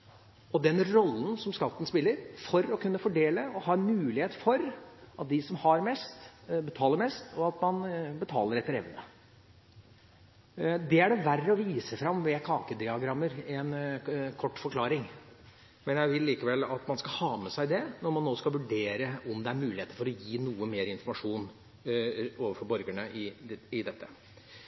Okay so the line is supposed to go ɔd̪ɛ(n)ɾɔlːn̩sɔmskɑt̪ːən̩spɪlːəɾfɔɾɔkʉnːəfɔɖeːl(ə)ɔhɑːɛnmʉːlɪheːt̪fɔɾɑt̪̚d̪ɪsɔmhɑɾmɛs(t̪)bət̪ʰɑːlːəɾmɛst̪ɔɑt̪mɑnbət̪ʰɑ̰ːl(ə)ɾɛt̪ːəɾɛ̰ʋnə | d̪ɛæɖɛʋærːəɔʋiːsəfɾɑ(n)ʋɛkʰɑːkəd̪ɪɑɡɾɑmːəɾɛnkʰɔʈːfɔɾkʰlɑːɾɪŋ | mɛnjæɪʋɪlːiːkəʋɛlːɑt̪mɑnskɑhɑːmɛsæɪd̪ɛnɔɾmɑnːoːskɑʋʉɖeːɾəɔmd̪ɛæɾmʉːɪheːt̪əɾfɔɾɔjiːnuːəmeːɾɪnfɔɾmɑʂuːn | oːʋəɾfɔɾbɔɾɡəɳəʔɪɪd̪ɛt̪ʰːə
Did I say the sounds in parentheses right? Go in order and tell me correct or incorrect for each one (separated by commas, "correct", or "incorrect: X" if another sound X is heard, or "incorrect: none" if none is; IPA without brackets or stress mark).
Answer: correct, correct, correct, correct, incorrect: m